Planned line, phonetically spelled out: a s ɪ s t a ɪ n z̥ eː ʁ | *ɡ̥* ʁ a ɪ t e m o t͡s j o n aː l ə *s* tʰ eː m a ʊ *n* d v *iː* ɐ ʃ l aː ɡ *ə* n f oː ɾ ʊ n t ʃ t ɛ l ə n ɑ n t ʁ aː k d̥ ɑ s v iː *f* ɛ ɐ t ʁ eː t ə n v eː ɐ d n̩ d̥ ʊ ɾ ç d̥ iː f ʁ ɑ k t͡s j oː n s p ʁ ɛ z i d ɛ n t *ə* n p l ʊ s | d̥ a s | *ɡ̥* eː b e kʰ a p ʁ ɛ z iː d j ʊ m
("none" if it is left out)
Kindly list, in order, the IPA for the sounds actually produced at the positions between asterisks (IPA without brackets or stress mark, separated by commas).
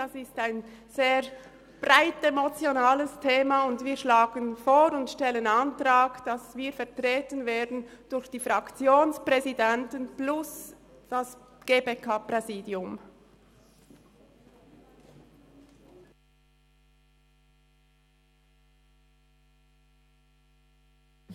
b̥, s, n, iː, ə, f, ə, ɡ̥